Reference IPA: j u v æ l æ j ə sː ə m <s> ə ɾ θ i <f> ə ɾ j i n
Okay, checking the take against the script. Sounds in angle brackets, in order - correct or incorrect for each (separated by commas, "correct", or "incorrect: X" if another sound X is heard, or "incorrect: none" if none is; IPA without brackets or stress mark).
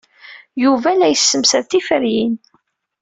correct, correct